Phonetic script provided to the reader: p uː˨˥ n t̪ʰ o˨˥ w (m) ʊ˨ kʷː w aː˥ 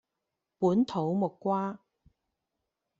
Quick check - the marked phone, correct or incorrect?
correct